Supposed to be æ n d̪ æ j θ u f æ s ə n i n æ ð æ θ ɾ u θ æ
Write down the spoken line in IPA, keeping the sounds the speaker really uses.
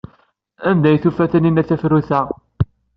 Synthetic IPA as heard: æ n d̪ æ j θ u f æ θ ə n i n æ θ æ f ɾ u θ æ